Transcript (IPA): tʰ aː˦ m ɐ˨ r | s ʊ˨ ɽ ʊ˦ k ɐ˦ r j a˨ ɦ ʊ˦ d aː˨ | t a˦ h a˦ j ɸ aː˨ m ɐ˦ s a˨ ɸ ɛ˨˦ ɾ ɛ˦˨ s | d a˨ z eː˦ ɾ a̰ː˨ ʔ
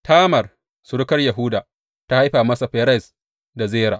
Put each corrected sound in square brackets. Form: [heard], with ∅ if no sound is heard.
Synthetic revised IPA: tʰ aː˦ m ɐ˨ r | s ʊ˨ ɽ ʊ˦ k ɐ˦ r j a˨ ɦ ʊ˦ d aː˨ | t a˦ h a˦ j ɸ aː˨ m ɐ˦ s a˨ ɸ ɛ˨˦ ɾ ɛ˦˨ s | d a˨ z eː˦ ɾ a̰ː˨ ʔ